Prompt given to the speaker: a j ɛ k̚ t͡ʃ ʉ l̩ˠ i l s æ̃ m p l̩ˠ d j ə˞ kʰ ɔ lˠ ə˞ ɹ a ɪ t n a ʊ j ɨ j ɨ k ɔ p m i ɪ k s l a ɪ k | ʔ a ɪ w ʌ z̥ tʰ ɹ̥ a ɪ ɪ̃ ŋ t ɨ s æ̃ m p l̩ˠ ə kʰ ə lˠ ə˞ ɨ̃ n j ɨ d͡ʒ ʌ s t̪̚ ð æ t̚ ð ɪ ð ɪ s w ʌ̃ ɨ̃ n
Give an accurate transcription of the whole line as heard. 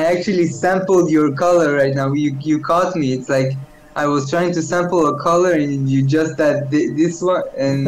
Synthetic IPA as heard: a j æ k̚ t͡ʃ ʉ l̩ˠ i s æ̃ m p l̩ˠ d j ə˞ kʰ ʌ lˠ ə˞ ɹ a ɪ t n a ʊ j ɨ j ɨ kʰ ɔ t m i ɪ t s l a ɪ k | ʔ a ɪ w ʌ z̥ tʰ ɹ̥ a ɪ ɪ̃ ŋ t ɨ s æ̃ m p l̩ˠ ə kʰ ʌ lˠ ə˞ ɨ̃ n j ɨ d͡ʒ ʌ s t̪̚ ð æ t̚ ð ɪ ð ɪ s w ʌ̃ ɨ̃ n